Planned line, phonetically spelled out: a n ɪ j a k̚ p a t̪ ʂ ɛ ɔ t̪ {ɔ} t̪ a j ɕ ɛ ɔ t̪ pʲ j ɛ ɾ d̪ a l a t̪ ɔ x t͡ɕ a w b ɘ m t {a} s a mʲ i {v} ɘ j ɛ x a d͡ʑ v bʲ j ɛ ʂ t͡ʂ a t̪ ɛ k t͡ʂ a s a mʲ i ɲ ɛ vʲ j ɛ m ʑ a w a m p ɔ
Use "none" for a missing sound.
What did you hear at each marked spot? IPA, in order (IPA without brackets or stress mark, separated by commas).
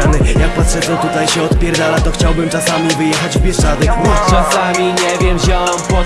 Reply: u, a, v